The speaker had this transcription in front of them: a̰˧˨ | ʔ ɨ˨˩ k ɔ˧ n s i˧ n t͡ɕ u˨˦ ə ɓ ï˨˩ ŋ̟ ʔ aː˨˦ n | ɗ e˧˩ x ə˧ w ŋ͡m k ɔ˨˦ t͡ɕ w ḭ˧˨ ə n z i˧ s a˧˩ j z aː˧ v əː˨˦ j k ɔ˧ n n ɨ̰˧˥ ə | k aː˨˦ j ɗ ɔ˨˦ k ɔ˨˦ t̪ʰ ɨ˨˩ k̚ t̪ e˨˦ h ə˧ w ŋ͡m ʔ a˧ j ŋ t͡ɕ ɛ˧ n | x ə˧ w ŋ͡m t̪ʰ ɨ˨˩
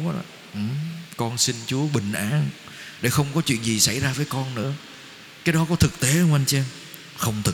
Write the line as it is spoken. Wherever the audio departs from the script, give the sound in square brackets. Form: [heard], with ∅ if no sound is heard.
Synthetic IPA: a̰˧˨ | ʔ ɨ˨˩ k ɔ˧ n s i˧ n t͡ɕ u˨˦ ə ɓ ï˨˩ ŋ̟ ʔ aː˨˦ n | ɗ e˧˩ x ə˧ w ŋ͡m k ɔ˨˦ t͡ɕ w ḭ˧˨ ə n z [i˨˩] s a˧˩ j z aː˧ v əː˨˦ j k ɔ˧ n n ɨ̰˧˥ ə | k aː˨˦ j ɗ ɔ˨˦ k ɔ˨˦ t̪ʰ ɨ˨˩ k̚ t̪ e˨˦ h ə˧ w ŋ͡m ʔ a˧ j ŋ t͡ɕ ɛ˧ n | x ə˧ w ŋ͡m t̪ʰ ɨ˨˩